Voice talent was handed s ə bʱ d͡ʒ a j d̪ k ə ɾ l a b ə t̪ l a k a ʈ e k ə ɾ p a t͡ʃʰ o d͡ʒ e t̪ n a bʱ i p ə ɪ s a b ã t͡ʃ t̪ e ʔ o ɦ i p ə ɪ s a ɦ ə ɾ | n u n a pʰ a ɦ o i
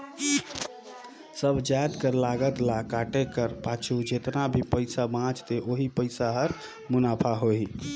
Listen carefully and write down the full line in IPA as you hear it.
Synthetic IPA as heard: s ə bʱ d͡ʒ a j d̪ k ə ɾ l a ɡ ə t̪ l a k a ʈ e k ə ɾ p a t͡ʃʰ u d͡ʒ e t̪ n a bʱ i p ə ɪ s a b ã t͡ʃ t̪ e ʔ o ɦ i p ə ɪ s a ɦ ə ɾ | m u n a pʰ a ɦ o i

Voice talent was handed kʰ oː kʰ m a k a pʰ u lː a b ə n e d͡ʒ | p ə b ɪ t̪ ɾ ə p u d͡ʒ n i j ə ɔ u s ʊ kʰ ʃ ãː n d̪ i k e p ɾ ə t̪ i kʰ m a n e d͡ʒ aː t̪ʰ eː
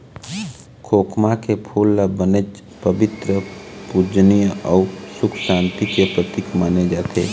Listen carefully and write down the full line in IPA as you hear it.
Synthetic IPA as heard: kʰ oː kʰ m a k e pʰ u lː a b ə n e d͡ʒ | p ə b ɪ t̪ ɾ ə p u d͡ʒ n i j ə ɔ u s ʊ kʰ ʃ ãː n t̪ i k e p ɾ ə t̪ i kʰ m a n e d͡ʒ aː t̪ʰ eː

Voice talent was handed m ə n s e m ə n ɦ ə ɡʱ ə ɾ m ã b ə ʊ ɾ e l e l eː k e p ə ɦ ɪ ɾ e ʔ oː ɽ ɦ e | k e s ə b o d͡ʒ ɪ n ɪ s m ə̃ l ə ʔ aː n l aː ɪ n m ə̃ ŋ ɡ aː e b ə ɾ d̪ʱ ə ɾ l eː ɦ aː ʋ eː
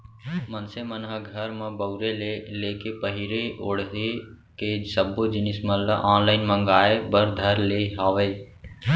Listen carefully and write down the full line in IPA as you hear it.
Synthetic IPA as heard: m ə n s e m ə n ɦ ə ɡʱ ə ɾ m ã b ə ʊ ɾ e l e l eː k e p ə ɦ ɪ ɾ e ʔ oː ɽ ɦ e | k e s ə b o d͡ʒ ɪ n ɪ s m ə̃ l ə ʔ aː n l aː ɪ n m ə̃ ŋ ɡ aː e b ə ɾ d̪ʱ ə ɾ l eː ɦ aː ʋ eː

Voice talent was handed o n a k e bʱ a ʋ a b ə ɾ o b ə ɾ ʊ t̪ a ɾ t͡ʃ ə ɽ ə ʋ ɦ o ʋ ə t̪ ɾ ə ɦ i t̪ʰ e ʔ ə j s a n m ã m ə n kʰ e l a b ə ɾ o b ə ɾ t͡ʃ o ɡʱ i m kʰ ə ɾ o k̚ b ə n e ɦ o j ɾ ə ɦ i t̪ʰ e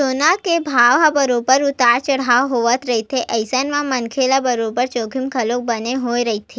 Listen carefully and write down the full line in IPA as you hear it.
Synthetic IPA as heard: o n a k e bʱ a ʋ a b ə ɾ o b ə ɾ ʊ t̪ a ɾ t͡ʃ ə ɽ a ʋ ɦ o ʋ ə t̪ ɾ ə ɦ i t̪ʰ e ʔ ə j s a n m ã m ə n kʰ e l a b ə ɾ o b ə ɾ t͡ʃ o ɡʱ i m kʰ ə l o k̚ b ə n e ɦ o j ɾ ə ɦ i t̪ʰ e

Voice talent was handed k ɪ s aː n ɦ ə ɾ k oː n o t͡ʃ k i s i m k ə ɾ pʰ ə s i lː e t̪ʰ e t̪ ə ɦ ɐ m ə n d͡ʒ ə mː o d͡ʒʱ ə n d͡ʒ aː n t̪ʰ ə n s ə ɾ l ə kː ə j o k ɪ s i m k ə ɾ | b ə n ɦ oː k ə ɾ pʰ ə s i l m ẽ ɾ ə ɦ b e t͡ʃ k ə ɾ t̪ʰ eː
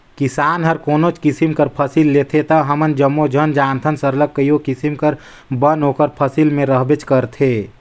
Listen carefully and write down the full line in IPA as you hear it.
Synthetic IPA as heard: k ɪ s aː n ɦ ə ɾ k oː n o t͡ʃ k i s i m k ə ɾ pʰ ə s i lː e t̪ʰ e t̪ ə ɦ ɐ m ə n d͡ʒ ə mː o d͡ʒʱ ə n d͡ʒ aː n t̪ʰ ə n s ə ɾ l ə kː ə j o k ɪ s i m k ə ɾ | b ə n ɦ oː k ə ɾ pʰ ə s i l m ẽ ɾ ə ɦ b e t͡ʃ k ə ɾ t̪ʰ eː

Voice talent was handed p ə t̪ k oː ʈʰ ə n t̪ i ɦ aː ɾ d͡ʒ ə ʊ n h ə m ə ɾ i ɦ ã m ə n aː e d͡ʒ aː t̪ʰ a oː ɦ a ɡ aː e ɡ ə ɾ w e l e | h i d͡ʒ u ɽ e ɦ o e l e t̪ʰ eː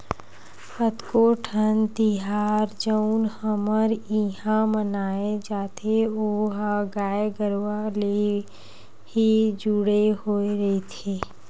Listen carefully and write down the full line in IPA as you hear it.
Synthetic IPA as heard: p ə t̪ k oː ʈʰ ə n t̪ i ɦ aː ɾ d͡ʒ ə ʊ n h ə m ə ɾ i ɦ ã m ə n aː e d͡ʒ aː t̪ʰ e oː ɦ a ɡ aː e ɡ ə ɾ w a l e | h i d͡ʒ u ɽ e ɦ o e ɾ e t̪ʰ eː

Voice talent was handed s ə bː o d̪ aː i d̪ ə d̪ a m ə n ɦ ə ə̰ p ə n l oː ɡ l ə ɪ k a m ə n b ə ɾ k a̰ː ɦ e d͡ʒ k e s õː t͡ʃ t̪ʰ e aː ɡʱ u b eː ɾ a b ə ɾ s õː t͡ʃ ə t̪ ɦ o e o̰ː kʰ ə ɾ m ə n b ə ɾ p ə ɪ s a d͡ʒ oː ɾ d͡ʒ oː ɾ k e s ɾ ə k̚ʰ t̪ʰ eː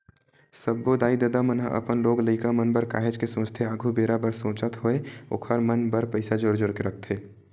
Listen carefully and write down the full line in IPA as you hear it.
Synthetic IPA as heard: s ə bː o d̪ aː i d̪ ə d̪ a m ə n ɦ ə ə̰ p ə n l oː ɡ l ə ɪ k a m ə n b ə ɾ k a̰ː ɦ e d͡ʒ k e s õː t͡ʃ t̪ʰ e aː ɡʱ u b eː ɾ a b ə ɾ s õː t͡ʃ ə t̪ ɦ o e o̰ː kʰ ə ɾ m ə n b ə ɾ p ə ɪ s a d͡ʒ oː ɾ d͡ʒ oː ɾ k e ɾ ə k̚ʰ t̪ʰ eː

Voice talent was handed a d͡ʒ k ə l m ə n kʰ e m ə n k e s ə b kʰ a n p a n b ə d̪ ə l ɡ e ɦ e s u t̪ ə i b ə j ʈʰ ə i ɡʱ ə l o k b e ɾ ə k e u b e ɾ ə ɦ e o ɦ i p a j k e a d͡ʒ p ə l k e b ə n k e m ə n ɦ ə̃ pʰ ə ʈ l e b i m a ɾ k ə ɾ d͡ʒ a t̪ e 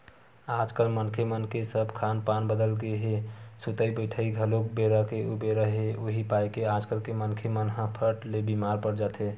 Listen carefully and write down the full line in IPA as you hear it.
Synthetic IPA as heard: a d͡ʒ k ə l m ə n kʰ e m ə n k e s ə b kʰ a n p a n b ə d̪ ə l ɡ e ɦ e s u t̪ ə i b ə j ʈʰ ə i ɡʱ ə l o k b e ɾ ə k e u b e ɾ ə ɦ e o ɦ i p a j k e a d͡ʒ k ə l k e m ə n kʰ e m ə n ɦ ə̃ pʰ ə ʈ l e b i m a ɾ p ə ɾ d͡ʒ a t̪ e

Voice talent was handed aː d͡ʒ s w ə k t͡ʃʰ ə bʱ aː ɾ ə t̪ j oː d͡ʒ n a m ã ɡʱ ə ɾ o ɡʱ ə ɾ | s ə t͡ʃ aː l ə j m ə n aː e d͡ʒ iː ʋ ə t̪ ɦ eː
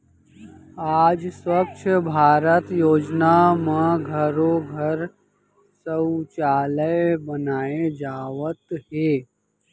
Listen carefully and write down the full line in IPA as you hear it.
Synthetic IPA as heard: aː d͡ʒ s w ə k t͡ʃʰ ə bʱ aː ɾ ə t̪ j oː d͡ʒ n a m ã ɡʱ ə ɾ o ɡʱ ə ɾ | s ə t͡ʃ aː l ə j b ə n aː e d͡ʒ aː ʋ ə t̪ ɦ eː

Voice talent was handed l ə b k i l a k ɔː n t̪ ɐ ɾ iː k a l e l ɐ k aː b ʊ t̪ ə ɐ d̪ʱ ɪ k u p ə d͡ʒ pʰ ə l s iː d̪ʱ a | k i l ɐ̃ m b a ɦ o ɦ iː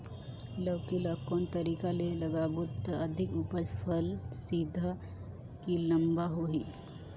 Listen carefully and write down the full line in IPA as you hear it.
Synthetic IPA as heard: l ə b k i l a k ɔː n t̪ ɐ ɾ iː k a l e l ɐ ɡ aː b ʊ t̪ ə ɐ d̪ʱ ɪ k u p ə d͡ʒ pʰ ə l s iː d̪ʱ a | k i l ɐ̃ m b a ɦ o ɦ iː

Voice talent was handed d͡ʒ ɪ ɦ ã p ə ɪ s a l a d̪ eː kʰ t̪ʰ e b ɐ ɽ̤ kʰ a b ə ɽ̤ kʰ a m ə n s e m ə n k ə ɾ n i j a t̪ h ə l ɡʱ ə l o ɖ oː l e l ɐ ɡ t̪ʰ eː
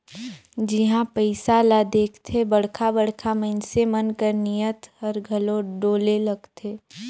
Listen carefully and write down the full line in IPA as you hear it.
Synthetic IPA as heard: d͡ʒ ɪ ɦ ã p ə ɪ s a l a d̪ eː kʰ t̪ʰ e b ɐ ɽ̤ kʰ a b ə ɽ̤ kʰ a m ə n s e m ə n k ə ɾ n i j ə t̪ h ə ɾ ɡʱ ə l o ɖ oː l e l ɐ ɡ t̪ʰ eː

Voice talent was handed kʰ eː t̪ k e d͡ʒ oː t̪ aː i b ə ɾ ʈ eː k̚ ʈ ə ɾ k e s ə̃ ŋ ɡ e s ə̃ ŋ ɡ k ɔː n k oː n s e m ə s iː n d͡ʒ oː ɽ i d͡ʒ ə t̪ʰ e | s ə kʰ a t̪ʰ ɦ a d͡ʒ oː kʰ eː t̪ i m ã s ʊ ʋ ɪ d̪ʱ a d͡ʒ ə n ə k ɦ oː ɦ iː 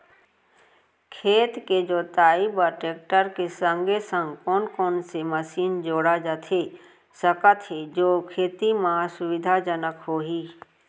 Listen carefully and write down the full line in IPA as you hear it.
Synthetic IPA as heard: kʰ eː t̪ k e d͡ʒ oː t̪ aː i b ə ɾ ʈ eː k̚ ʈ ə ɾ k e s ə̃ ŋ ɡ e s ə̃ ŋ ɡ k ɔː n k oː n s e m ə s iː n d͡ʒ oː ɽ a d͡ʒ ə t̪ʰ e | s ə k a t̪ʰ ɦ e d͡ʒ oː kʰ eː t̪ i m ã s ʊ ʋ ɪ d̪ʱ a d͡ʒ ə n ə k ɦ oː ɦ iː

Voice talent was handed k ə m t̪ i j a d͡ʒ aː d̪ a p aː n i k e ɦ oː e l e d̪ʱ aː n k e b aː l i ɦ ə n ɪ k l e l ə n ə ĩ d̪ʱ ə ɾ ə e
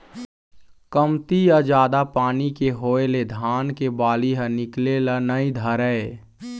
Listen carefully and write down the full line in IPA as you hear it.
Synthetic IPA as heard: k ə m t̪ i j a d͡ʒ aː d̪ a p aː n i k e ɦ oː e l e d̪ʱ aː n k e b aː l i ɦ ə n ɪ k l e l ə n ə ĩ d̪ʱ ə ɾ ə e

